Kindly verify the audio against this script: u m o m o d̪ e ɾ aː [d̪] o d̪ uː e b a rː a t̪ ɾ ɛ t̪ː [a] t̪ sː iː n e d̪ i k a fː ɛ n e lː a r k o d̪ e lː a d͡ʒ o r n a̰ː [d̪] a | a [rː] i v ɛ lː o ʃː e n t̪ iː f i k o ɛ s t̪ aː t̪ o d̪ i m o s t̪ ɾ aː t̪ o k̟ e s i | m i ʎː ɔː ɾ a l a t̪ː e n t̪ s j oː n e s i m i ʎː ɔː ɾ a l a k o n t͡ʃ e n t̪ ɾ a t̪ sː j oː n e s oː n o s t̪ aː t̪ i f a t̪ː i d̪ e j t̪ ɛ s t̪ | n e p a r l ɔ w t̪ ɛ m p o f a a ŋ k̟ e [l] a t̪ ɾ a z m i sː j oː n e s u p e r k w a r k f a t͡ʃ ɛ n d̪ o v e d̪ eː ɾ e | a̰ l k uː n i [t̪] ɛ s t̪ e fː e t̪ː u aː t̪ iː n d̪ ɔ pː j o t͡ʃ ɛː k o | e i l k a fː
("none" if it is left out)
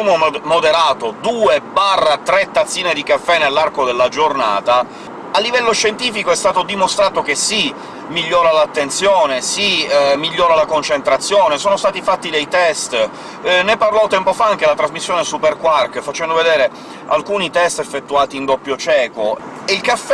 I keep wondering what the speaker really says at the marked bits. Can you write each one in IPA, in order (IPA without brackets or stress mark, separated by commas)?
t̪, a, t̪, lː, l, t̪